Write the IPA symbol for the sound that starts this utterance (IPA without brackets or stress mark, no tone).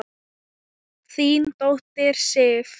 θ